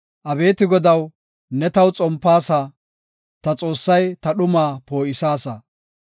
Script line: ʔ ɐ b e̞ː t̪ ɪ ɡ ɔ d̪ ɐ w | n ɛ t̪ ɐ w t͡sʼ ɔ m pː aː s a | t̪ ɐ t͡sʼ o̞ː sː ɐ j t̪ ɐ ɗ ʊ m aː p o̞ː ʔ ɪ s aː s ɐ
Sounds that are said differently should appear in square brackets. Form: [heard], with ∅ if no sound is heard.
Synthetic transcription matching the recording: ʔ ɐ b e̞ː t̪ ɪ ɡ ɔ d̪ ɐ w | n ɛ t̪ ɐ w t͡sʼ ɔ m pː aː s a | t̪ ɐ t͡sʼ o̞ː sː ɐ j t̪ ɐ ɗ ʊ m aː p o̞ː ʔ ɪ s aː s ɐ